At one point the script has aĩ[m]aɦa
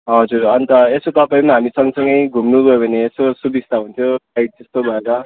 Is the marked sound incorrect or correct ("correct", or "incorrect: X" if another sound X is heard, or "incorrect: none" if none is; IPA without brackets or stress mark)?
correct